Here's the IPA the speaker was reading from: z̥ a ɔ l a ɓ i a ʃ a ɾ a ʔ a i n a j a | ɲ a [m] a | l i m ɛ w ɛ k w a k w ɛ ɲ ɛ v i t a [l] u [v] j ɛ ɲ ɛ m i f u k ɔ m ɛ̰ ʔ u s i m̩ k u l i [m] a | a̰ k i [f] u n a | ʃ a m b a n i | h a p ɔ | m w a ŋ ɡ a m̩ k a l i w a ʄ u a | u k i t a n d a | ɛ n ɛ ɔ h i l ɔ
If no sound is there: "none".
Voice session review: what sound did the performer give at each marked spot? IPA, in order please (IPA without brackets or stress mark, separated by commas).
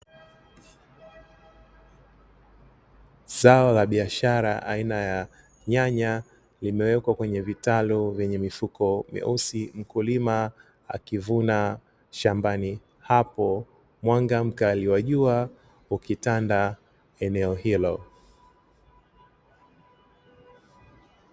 ɲ, l, v, m, v